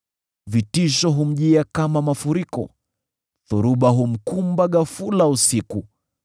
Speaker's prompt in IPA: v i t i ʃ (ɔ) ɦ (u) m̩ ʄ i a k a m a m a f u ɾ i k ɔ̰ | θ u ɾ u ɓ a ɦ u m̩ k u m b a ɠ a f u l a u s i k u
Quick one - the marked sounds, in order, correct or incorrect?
correct, correct

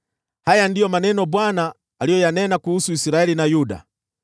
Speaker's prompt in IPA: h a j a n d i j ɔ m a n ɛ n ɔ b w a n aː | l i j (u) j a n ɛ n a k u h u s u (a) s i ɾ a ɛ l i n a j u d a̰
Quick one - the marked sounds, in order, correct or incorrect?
incorrect: ɔ, incorrect: i

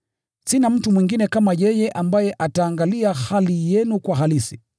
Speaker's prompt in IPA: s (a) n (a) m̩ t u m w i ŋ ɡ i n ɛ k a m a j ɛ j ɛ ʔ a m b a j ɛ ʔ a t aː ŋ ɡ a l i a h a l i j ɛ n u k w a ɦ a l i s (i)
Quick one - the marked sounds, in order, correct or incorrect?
incorrect: i, correct, correct

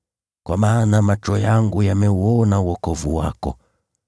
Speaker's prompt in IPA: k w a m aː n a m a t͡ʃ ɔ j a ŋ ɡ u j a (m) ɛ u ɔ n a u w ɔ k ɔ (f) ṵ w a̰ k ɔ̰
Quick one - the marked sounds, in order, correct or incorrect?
correct, incorrect: v

